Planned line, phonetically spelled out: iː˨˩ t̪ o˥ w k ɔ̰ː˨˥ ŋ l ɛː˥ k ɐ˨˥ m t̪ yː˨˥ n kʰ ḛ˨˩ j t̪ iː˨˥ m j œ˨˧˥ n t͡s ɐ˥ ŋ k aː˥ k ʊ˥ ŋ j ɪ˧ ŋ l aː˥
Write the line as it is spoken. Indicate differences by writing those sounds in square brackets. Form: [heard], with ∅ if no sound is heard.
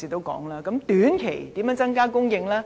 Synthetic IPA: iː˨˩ t̪ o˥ w k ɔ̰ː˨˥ ŋ l [aː˥] k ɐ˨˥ m t̪ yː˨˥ n kʰ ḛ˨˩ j t̪ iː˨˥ m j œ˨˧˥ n t͡s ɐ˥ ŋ k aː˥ k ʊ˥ ŋ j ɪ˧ ŋ l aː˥

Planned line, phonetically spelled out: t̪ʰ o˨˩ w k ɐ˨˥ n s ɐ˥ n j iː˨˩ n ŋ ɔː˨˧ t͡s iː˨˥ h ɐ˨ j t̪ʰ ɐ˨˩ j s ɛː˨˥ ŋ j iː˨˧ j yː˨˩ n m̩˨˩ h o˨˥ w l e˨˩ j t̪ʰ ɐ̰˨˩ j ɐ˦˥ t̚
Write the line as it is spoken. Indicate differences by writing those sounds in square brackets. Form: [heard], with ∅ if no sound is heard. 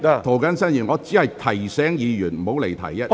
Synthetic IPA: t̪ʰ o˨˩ w k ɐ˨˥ n s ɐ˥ n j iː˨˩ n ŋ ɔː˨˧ t͡s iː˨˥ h ɐ˨ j t̪ʰ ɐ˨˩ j s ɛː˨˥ ŋ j iː˨˧ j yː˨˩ n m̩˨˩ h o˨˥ w l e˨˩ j t̪ʰ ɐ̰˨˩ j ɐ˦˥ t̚

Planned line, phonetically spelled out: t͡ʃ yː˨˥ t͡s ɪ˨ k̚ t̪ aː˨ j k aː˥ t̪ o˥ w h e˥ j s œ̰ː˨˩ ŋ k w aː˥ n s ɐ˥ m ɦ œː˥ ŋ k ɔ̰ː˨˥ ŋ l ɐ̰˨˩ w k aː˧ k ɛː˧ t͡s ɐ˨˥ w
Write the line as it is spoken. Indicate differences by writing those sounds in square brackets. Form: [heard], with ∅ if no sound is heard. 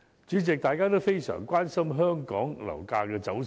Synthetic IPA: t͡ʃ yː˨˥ t͡s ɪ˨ k̚ t̪ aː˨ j k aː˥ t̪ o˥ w [f] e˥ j s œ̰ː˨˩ ŋ k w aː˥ n s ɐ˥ m ɦ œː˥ ŋ k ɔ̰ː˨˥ ŋ l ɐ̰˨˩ w k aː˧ k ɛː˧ t͡s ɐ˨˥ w

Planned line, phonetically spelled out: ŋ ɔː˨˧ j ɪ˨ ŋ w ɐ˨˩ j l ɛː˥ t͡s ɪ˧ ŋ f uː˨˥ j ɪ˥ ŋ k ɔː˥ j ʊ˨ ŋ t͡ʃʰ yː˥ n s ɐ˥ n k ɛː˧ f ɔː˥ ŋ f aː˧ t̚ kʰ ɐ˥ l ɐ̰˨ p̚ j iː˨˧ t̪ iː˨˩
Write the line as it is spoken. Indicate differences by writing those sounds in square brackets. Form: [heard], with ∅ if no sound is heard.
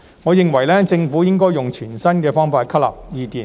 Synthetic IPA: ŋ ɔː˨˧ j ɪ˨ ŋ w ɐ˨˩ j l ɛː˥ t͡s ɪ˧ ŋ f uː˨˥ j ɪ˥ ŋ k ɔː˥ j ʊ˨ ŋ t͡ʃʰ [yː˨˩] n s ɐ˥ n k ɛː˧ f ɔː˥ ŋ f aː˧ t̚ kʰ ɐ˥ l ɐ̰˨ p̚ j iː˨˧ t̪ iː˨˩

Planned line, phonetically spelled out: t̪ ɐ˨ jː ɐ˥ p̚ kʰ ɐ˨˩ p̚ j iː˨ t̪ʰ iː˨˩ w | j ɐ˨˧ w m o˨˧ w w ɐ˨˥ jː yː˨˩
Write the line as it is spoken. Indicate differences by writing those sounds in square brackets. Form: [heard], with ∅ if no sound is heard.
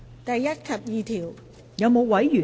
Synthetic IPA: t̪ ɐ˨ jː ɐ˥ [t̚] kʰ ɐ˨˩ p̚ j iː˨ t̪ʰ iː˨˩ w | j ɐ˨˧ w m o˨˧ w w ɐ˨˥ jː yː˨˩

